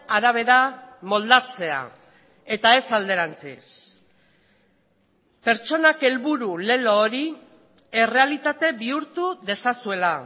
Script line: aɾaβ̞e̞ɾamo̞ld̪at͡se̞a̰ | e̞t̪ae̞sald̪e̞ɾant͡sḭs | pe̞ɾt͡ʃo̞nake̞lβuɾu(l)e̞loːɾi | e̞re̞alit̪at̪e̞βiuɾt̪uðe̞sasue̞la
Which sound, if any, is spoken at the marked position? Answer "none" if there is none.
l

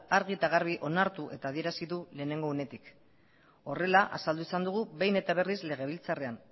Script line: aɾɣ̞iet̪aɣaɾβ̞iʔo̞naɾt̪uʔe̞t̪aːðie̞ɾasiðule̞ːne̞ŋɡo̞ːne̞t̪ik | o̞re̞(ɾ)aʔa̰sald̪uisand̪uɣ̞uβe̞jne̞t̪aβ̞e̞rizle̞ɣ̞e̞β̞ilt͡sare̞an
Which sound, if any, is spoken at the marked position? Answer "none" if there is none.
l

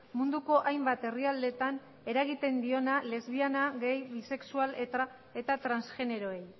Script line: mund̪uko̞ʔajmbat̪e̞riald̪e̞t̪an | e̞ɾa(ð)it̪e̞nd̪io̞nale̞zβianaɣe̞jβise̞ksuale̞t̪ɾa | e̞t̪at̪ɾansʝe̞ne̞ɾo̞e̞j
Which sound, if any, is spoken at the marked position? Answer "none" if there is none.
ɣ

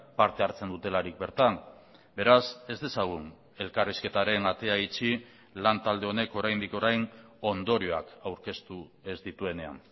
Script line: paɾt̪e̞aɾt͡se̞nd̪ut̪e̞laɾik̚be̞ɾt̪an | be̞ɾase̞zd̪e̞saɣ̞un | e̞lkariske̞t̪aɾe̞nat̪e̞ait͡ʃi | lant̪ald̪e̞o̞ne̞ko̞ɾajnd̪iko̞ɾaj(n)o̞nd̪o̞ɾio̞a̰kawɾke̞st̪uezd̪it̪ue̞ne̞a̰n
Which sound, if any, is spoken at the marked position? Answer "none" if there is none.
n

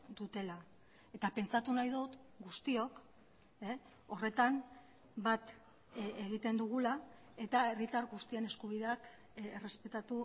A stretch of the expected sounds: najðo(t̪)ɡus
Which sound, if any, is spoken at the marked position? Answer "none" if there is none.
t̪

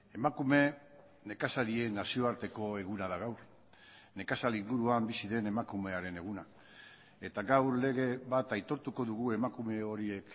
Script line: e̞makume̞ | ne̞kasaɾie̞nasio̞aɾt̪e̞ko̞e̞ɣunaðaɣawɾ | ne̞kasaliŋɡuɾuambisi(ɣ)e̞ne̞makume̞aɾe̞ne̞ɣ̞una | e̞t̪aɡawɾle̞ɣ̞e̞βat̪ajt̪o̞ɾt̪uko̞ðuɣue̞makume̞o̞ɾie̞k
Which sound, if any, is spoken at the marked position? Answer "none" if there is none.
ð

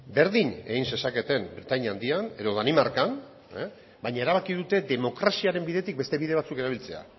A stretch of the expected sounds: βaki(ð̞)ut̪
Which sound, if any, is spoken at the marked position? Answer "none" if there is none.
ð̞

